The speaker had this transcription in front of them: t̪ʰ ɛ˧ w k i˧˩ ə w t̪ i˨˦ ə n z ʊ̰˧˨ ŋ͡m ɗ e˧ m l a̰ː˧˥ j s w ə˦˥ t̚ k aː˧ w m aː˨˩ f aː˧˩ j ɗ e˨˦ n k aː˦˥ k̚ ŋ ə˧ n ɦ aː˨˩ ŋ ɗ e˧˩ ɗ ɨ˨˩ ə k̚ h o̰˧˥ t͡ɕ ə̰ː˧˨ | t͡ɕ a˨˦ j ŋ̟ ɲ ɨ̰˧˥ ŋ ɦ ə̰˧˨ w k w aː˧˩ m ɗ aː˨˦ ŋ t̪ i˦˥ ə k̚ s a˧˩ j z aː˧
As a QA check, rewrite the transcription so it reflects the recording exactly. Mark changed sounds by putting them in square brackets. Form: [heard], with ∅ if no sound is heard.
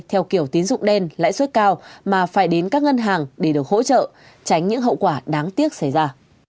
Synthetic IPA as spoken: t̪ʰ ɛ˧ w k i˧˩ ə w t̪ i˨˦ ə n z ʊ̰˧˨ ŋ͡m ɗ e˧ [n] l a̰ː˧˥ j s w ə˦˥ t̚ k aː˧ w m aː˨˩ f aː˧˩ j ɗ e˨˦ n k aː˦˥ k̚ ŋ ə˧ n ɦ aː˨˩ ŋ ɗ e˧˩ ɗ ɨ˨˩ ə k̚ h o̰˧˥ t͡ɕ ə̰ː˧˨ | t͡ɕ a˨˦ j ŋ̟ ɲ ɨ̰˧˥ ŋ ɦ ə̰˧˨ w k w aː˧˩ [∅] ɗ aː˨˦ ŋ t̪ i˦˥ ə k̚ s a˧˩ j z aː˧

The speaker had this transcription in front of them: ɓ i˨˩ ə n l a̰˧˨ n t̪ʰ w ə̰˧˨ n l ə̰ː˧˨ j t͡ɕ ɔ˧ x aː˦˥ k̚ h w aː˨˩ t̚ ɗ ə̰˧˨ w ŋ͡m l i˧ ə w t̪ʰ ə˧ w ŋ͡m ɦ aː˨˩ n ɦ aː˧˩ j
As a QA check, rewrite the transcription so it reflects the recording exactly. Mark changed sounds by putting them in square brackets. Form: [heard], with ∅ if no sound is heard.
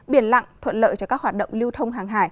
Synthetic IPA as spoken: ɓ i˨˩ ə n l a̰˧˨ [ŋ] t̪ʰ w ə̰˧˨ n l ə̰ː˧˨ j t͡ɕ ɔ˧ [k] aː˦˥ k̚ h w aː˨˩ t̚ ɗ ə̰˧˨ w ŋ͡m l i˧ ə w t̪ʰ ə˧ w ŋ͡m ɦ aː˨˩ [ŋ] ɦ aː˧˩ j

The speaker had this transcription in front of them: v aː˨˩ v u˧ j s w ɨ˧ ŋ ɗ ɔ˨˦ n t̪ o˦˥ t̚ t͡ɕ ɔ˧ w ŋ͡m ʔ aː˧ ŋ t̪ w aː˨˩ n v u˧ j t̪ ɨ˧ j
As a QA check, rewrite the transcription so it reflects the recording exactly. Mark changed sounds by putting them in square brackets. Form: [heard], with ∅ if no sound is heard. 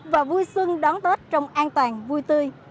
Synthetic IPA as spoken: v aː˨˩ v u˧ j s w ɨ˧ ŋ ɗ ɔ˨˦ n t̪ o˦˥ t̚ t͡ɕ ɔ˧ w ŋ͡m ʔ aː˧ [n] t̪ w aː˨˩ n v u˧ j t̪ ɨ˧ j

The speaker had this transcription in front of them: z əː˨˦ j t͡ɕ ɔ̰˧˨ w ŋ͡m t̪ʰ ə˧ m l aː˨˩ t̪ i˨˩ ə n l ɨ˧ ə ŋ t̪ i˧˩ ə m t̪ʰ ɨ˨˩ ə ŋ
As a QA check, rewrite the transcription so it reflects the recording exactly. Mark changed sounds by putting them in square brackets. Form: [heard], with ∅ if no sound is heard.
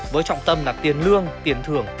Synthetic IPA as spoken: [v] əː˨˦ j t͡ɕ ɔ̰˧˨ w ŋ͡m [t̪] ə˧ m l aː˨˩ t̪ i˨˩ ə n l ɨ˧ ə ŋ t̪ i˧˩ ə [n] t̪ʰ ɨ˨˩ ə ŋ

